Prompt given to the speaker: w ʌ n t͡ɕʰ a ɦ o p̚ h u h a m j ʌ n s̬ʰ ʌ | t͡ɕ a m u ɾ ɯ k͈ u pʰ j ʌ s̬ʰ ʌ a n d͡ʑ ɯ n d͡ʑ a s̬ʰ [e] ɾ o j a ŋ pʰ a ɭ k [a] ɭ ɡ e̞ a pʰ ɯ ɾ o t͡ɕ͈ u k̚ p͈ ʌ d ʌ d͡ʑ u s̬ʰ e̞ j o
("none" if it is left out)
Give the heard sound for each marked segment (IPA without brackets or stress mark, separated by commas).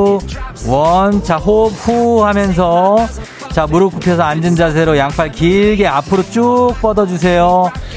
e, i